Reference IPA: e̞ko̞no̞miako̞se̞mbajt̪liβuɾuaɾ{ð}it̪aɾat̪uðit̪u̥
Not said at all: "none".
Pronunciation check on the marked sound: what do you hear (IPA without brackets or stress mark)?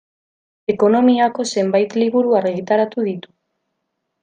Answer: ɣ